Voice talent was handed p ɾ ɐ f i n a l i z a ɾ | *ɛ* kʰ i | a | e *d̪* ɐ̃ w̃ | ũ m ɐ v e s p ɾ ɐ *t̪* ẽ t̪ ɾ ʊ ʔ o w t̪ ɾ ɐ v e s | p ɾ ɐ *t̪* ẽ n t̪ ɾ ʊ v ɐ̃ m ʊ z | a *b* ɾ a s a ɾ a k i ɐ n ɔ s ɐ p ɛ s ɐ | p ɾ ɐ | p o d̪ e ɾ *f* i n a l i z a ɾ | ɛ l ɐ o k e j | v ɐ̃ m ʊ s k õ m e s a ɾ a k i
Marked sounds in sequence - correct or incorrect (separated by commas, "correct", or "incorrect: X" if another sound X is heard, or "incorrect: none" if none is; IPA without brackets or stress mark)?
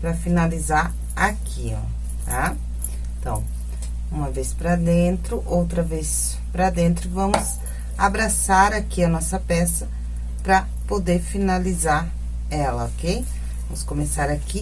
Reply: incorrect: a, incorrect: t̪, incorrect: d̪, incorrect: d̪, correct, correct